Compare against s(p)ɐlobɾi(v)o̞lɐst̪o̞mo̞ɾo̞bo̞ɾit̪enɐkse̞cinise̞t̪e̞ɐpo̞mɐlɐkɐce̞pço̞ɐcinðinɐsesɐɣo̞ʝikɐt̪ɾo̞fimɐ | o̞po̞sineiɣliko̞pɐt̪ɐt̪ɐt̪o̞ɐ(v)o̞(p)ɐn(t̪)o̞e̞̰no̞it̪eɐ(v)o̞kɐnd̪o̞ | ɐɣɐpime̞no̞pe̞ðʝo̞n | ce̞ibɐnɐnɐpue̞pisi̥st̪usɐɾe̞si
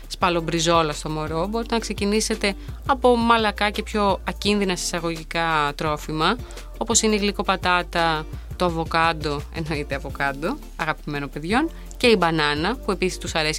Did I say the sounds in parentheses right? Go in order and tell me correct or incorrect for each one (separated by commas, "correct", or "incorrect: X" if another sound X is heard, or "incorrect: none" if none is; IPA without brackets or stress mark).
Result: correct, incorrect: z, correct, incorrect: k, incorrect: d̪, correct